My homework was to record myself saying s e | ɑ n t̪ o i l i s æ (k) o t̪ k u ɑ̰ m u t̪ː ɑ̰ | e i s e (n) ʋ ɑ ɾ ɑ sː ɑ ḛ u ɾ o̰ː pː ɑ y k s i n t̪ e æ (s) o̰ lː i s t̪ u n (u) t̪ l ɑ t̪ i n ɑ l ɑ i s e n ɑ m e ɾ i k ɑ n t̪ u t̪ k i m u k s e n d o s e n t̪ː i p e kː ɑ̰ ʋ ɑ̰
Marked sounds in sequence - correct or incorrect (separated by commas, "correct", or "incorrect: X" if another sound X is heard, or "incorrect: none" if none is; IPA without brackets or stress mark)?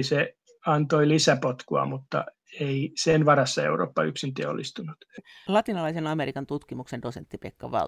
incorrect: p, correct, incorrect: none, correct